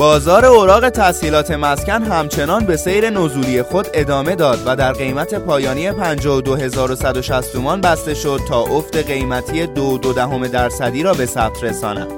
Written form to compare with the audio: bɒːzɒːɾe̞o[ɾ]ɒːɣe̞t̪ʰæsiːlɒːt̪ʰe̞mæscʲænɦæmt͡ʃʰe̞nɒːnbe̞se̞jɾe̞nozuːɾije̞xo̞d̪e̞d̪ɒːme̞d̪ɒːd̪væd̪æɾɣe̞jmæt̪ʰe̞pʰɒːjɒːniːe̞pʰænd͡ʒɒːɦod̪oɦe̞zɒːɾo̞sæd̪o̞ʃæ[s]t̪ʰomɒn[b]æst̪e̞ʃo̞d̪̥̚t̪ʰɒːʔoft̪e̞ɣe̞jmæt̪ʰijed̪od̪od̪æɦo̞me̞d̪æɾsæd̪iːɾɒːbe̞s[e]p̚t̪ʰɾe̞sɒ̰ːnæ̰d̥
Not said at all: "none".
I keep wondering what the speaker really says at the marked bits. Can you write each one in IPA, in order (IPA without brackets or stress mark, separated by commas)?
ɾ, s, b, æ